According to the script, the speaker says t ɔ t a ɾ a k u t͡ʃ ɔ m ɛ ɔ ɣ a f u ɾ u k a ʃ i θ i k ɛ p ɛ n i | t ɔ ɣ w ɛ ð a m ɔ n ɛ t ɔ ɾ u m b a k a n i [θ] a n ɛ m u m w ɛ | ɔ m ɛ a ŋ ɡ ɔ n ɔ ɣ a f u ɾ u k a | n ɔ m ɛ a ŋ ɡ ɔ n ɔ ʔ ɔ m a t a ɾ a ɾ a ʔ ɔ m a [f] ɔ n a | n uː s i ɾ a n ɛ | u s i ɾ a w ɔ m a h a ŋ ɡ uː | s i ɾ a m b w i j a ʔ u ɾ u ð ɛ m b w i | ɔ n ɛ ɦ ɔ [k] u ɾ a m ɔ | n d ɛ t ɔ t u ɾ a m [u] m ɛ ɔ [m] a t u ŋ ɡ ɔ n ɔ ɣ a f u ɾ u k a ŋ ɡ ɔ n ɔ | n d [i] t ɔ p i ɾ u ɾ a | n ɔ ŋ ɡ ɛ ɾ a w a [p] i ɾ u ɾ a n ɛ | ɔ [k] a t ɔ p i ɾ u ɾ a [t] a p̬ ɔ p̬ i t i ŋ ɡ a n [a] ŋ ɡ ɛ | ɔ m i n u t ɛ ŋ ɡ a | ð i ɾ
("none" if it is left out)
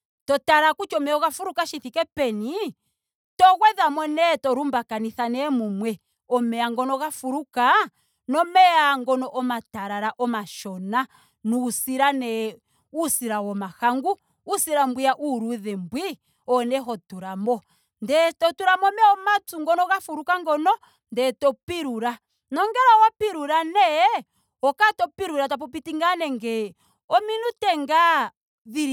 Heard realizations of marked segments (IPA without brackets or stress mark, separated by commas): θ, ʃ, t, ɔ, m, ɛ, p, k, t, ɛ